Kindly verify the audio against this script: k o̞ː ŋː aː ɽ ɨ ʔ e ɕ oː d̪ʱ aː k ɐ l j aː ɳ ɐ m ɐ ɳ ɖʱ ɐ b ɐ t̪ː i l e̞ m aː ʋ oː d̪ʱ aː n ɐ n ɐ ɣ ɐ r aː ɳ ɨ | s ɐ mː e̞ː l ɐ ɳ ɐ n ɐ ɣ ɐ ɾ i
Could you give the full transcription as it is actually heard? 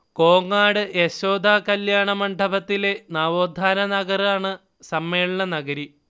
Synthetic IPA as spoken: k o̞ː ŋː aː ɽ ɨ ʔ e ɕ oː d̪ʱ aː k ɐ l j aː ɳ ɐ m ɐ ɳ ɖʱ ɐ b ɐ t̪ː i l e̞ n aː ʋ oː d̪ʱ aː n ɐ n ɐ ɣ ɐ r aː ɳ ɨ | s ɐ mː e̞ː ɭ ɐ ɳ ɐ n ɐ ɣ ɐ ɾ i